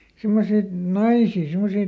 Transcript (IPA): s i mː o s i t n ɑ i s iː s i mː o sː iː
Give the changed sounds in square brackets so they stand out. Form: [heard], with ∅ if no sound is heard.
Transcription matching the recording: s i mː o s i t n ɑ i s iː s i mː o [s] iː

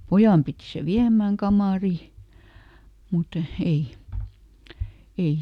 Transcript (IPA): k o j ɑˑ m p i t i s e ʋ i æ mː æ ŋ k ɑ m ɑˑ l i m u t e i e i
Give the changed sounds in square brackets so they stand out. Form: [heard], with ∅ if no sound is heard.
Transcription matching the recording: [p] o j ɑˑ m p i t i s e ʋ i æ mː [æː] ŋ k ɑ m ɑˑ [r] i m u t e i e i

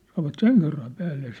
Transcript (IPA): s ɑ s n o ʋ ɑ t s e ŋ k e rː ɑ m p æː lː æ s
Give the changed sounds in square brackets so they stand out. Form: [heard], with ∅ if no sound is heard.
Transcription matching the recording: s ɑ [∅] n o ʋ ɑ t s e ŋ k e rː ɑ m p æː lː [e] s

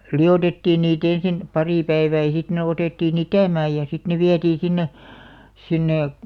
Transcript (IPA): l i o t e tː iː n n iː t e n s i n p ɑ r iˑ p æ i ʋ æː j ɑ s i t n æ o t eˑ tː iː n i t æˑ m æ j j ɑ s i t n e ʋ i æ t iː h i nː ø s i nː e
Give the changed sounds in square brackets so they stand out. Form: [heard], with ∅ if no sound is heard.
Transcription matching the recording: l i o t e tː iː n n iː t e n s i n p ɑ r iˑ p æ i ʋ æː j ɑ s i t n [e] o t eˑ tː iː n i t æˑ m [æː] j j ɑ s i t n e ʋ i æ t iː [s] i nː [e] s i nː e

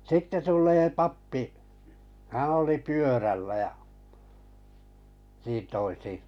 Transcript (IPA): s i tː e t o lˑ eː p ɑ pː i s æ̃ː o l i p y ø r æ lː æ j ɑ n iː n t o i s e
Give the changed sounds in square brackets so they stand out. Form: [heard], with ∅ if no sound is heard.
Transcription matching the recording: s i tː e t [u] lˑ eː p ɑ pː i [h] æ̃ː o l i p y ø r æ lː æ j ɑ n iː n t o i s [i]

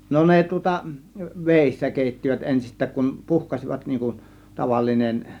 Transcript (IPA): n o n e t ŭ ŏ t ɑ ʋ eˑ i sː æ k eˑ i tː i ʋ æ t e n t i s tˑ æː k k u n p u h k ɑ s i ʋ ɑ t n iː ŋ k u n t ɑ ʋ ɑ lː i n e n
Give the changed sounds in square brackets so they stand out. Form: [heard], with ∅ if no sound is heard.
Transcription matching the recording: n o n e t ŭ ŏ t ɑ ʋ eˑ i sː æ k eˑ i tː i ʋ æ t e n [s] i s tˑ æː k k u n p u h k ɑ s i ʋ ɑ t n iː ŋ k u n t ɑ ʋ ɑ lː i n e n

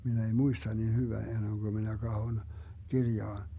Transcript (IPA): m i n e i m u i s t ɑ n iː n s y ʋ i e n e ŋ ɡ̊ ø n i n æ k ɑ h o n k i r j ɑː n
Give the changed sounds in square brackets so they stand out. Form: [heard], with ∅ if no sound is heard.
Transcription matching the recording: m i n e i m u i s t ɑ n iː n [h] y ʋ [æ] e [nː] e ŋ ɡ̊ ø [m] i n æ k ɑ h o n k i r j ɑː n

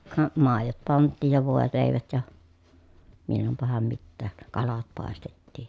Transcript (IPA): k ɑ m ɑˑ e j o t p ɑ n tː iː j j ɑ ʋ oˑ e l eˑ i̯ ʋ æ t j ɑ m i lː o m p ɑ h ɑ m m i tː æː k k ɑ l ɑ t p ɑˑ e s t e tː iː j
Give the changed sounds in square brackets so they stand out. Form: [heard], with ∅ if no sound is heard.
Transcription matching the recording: k ɑ m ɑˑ e j o t p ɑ n tː iː j j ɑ ʋ oˑ e l eˑ i̯ ʋ æ t j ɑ m i lː o m p ɑ h ɑ m m i tː æː k k ɑ l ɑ t p ɑˑ e s t e tː iː j

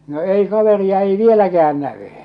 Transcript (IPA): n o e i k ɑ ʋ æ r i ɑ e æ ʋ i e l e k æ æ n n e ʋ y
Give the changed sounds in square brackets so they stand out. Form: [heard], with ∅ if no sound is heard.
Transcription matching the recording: n o e i k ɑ ʋ [e] r i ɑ e [i] ʋ i e l [æ] k æ æ n n [æ] ʋ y

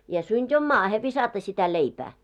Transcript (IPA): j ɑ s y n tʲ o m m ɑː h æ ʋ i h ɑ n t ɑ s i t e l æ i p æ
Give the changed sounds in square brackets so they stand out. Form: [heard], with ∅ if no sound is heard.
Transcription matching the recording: j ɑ s y n tʲ o m m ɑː h [e] ʋ i [s] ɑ [∅] t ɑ s i t [æ] l [e] i p [æː]

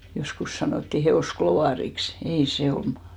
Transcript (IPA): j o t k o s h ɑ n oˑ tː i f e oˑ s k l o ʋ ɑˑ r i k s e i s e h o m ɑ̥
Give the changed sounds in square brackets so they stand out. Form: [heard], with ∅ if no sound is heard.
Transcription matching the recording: j o [s] k [u] s [s] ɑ n oˑ tː i [h] e oˑ s k l o ʋ ɑˑ r i k s e i s e [∅] o m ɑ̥

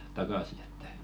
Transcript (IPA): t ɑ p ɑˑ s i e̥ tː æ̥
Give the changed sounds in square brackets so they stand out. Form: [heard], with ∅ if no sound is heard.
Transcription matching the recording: t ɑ [k] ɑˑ s i e̥ tː æ̥

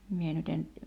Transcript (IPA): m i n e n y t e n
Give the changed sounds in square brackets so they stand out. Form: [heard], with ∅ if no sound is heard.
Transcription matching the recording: m i [∅] e n y t e n

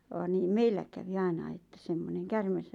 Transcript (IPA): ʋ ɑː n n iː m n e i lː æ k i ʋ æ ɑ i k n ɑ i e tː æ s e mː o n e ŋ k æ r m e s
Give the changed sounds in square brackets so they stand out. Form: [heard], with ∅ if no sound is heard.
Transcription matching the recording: ʋ ɑː n n iː m [m] e i lː æ k [æ] ʋ [i] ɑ i [∅] n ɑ i e tː æ s e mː o n e ŋ k æ r m e s

